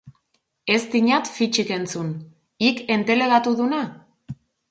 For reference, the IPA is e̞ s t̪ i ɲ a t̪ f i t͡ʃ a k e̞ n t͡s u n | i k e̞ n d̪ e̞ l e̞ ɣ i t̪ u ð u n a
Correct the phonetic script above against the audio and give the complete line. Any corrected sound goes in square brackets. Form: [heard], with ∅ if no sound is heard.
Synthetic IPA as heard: e̞ s t̪ i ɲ a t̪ f i t͡ʃ [i] k e̞ n t͡s u n | i k e̞ n [t̪] e̞ l e̞ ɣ [a] t̪ u ð u n a

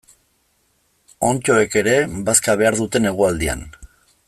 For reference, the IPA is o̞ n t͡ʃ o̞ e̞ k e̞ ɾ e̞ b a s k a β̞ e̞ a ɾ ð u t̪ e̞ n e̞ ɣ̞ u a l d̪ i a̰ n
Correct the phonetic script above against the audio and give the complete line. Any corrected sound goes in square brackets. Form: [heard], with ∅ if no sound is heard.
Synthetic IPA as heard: o̞ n t͡ʃ o̞ e̞ k e̞ ɾ e̞ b a s k a β̞ e̞ a ɾ ð u t̪ e̞ n e̞ ɣ̞ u a l d̪ i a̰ n

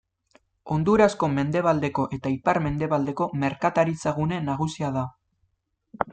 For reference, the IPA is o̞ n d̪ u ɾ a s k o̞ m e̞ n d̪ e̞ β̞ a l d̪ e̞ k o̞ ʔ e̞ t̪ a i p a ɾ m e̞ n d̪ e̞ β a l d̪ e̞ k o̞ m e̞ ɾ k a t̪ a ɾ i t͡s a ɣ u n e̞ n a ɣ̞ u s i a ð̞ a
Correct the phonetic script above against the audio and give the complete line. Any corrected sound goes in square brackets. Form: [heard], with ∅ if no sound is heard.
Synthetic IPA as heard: o̞ n d̪ u ɾ a s k o̞ m e̞ n d̪ e̞ β̞ a l d̪ e̞ k o̞ ʔ e̞ t̪ a i p a ɾ m e̞ n d̪ e̞ β a l d̪ e̞ k o̞ m e̞ ɾ k a t̪ a ɾ i t͡s a ɣ u n e̞ n a ɣ̞ u s i a ð̞ a

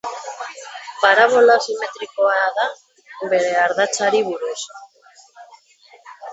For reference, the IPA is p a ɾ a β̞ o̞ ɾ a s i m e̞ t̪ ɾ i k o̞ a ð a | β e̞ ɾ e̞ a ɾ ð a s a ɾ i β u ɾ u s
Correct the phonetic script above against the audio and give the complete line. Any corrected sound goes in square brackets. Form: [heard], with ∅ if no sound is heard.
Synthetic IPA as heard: p a ɾ a β̞ o̞ [l] a s i m e̞ t̪ ɾ i k o̞ a ð a | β e̞ ɾ e̞ a ɾ ð a [t͡s] a ɾ i β u ɾ u s

